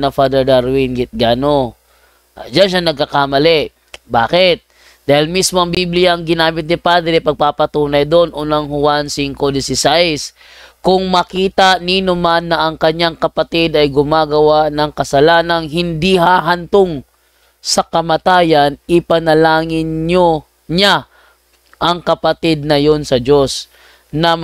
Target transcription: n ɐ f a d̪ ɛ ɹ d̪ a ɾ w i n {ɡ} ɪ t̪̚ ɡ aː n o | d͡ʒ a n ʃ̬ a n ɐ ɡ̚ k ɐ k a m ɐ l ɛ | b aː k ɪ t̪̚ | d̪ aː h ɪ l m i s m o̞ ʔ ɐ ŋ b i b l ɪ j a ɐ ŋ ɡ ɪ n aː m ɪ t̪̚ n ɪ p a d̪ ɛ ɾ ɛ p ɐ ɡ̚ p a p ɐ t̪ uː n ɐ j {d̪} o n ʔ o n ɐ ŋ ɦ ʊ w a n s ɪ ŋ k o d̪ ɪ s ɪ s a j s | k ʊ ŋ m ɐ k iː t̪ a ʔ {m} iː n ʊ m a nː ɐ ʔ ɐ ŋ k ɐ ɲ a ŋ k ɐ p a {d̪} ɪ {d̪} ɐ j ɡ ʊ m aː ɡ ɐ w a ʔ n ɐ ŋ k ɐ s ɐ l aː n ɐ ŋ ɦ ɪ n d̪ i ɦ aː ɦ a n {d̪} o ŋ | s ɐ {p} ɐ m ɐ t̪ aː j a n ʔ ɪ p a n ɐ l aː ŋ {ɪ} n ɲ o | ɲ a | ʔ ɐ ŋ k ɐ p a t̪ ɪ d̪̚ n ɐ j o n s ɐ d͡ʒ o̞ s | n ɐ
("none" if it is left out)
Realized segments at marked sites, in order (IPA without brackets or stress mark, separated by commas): ɡ, d̪, n, t̪, d̪, t̪, k, ɪ